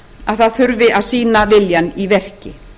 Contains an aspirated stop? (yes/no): no